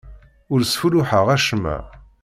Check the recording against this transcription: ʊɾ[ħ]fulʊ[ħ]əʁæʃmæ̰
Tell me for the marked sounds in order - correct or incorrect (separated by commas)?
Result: incorrect, correct